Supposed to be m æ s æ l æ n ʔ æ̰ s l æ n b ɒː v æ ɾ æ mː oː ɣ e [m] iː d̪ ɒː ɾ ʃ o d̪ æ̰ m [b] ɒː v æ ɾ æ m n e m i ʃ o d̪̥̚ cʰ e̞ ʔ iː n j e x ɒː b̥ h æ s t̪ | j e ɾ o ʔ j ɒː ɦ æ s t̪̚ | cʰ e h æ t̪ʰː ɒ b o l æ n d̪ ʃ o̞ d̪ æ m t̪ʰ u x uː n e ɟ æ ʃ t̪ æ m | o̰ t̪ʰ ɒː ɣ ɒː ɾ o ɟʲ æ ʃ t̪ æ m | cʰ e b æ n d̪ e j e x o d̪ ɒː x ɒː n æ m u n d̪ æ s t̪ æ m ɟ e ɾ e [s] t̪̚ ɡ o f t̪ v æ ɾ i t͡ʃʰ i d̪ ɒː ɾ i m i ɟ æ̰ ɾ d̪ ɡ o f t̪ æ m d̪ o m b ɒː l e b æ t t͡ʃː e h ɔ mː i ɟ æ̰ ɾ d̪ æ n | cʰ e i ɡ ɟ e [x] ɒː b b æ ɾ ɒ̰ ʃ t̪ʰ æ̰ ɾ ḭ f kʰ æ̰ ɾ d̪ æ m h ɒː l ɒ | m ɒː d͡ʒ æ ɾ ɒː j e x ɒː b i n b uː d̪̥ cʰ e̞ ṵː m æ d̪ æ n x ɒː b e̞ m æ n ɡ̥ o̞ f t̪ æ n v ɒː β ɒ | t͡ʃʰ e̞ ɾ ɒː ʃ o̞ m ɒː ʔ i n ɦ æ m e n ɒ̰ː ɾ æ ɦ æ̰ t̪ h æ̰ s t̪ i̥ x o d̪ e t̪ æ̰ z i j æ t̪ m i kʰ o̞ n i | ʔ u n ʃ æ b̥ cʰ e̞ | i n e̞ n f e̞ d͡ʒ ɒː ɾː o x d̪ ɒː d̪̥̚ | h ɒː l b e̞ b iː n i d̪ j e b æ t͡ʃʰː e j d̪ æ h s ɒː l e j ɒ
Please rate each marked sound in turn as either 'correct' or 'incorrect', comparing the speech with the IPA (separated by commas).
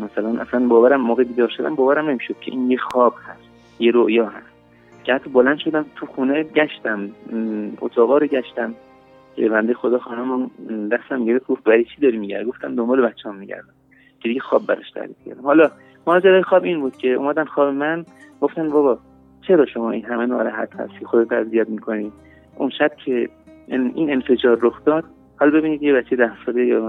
incorrect, correct, incorrect, correct